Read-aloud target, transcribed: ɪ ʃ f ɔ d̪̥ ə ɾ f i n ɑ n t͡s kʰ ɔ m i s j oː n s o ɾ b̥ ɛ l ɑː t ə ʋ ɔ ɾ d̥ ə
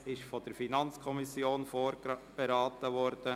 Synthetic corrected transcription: ɪ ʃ f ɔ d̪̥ ə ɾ f i n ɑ n t͡s kʰ ɔ m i s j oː n f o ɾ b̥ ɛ ɾ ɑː t ə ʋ ɔ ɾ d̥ ə